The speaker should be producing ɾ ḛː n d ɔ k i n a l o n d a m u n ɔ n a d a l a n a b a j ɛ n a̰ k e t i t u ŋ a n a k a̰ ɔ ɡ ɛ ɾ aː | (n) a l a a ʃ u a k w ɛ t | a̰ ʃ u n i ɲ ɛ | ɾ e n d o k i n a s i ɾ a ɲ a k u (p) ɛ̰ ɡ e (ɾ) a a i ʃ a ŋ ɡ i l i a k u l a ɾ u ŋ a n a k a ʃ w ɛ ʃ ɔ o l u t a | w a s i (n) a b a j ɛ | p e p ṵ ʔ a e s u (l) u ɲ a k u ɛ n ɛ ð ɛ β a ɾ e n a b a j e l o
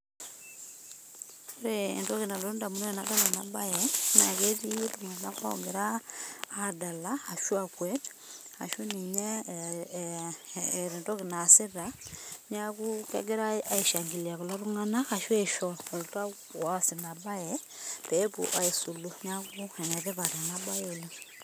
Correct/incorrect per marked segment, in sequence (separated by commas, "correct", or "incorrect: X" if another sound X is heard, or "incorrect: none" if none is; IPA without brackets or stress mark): incorrect: d, incorrect: k, correct, correct, correct